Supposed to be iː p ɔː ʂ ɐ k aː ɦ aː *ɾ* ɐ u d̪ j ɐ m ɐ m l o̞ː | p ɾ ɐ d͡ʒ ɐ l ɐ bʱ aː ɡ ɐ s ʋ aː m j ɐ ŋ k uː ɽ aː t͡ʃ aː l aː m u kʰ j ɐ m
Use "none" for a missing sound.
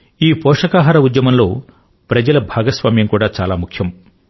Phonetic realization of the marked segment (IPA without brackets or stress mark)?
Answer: ɾ